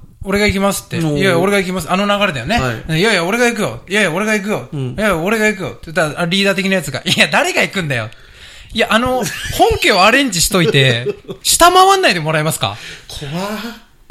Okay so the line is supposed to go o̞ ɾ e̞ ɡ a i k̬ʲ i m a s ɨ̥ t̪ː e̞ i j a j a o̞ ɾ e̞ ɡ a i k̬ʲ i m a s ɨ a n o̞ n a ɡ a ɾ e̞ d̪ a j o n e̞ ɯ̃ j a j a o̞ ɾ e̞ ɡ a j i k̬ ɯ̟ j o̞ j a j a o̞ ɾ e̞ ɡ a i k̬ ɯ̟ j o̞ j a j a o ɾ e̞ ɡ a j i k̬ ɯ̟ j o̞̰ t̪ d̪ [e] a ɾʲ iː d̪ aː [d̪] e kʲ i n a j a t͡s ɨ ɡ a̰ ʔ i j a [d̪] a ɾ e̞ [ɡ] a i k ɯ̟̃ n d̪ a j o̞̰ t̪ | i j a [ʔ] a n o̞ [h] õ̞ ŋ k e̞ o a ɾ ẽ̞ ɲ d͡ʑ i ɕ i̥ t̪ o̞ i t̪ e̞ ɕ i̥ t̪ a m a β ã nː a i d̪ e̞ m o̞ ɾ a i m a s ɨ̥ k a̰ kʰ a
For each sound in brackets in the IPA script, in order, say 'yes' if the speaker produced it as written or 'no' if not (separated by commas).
no, no, yes, yes, yes, yes